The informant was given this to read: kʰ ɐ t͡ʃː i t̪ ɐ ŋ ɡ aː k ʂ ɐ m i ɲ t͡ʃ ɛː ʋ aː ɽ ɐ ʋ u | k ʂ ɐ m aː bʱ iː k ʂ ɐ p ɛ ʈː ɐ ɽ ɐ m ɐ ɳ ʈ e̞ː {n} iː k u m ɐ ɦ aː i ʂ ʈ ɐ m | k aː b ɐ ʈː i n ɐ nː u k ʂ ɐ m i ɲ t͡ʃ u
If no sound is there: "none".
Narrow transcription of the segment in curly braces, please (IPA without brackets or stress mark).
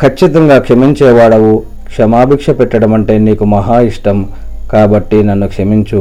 n